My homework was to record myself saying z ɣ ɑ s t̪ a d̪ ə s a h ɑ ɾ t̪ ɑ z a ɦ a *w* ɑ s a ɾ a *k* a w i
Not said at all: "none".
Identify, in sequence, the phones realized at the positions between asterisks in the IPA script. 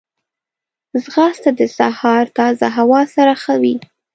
w, x

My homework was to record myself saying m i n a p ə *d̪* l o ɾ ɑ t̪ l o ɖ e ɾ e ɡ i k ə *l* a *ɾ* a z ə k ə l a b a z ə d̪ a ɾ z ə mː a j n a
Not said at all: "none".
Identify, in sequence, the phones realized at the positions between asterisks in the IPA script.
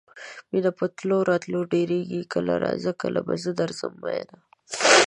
t̪, l, ɾ

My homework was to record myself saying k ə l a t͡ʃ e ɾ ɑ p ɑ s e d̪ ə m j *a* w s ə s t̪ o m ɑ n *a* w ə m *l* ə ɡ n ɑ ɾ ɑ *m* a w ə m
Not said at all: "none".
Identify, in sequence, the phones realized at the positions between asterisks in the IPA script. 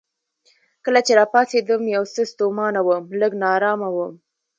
a, a, l, m

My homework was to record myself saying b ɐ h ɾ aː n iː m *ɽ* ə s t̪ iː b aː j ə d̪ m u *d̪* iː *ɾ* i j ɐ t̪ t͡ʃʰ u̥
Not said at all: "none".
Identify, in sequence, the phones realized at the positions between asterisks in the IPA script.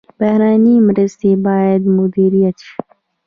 ɾ, d̪, ɾ

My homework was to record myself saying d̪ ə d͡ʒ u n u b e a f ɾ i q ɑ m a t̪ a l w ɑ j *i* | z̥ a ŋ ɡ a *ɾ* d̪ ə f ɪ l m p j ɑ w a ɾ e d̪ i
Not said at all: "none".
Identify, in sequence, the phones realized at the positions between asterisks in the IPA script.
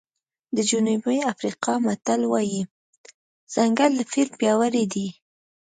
i, l

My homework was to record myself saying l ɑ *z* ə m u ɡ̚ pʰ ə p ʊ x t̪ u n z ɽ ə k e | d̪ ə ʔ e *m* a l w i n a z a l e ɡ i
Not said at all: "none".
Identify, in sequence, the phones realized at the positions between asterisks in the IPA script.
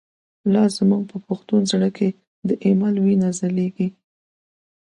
z, m

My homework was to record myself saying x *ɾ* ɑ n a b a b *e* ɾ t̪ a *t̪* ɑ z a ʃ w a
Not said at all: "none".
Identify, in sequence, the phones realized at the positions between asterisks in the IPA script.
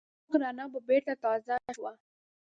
ɾ, e, t̪

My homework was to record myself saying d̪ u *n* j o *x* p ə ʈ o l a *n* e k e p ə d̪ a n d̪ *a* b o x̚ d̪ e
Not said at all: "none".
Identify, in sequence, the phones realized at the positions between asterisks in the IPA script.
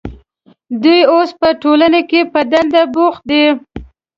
none, s, n, a

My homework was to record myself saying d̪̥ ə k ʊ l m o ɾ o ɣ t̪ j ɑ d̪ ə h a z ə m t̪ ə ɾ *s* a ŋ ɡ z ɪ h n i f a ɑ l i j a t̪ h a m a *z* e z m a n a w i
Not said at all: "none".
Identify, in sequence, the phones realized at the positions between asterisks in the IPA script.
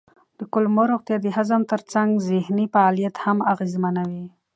t͡s, ɣ

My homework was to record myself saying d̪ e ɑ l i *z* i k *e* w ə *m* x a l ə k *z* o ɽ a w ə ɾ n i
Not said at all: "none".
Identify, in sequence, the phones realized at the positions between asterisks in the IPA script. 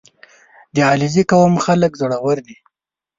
z, a, m, z

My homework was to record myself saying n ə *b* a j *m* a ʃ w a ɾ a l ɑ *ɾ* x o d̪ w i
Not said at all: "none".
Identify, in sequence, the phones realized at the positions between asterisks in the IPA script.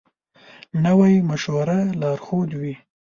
w, m, ɾ

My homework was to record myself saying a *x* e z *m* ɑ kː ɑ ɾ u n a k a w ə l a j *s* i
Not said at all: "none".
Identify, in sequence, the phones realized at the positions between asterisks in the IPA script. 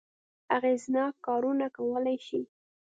ɣ, n, ʃ

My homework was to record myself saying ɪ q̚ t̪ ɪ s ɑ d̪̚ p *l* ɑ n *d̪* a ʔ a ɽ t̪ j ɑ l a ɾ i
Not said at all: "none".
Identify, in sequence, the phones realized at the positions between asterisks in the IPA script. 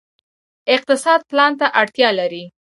l, t̪

